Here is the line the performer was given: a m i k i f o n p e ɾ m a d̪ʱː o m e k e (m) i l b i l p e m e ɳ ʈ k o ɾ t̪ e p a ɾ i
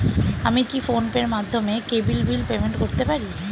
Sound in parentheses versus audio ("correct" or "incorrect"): incorrect